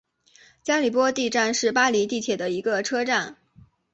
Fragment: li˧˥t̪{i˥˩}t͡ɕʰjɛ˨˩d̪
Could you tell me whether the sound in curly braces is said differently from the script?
no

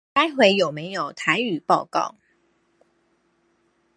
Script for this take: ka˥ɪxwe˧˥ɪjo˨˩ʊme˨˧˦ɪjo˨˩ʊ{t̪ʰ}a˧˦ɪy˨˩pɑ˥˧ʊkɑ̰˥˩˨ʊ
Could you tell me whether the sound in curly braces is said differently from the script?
no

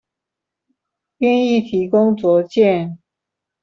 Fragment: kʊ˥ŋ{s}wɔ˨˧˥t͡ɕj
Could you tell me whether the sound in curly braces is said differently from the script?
yes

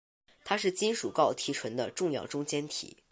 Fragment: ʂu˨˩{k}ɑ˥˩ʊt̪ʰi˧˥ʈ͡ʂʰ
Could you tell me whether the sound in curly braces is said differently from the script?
no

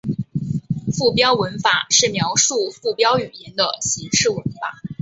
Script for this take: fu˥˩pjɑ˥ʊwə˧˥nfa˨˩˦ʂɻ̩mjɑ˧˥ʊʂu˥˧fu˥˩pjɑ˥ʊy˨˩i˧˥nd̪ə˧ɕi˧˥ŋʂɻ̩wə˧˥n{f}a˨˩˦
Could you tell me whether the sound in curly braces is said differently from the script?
no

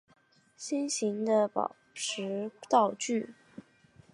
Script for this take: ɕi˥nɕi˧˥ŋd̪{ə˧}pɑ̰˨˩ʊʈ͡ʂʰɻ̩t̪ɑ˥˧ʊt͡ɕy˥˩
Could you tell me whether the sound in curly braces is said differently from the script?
no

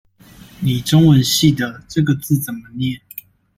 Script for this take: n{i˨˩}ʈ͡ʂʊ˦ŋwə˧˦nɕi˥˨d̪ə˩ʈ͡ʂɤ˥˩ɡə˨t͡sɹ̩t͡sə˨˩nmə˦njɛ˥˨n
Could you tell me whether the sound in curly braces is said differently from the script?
no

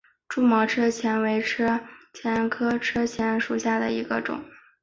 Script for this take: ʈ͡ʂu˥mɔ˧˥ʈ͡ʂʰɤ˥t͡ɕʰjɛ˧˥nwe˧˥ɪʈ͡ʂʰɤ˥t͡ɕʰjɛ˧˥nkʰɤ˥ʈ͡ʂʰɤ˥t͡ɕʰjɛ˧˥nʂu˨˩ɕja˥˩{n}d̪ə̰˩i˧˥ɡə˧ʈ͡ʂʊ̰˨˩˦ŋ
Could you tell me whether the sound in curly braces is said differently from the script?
yes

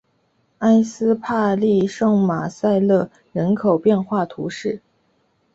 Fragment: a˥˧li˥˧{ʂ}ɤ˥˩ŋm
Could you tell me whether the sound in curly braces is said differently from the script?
no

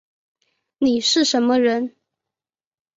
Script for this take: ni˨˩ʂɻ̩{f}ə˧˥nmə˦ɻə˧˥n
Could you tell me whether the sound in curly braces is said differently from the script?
yes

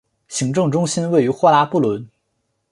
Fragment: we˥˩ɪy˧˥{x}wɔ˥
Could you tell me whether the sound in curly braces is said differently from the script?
no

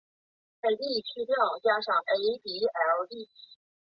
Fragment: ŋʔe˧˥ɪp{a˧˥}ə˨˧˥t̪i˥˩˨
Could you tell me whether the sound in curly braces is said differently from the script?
yes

